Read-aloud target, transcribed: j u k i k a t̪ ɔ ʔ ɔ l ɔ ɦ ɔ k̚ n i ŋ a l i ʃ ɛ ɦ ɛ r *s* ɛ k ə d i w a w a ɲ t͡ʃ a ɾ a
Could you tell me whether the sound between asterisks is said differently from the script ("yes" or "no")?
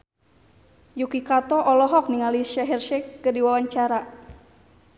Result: yes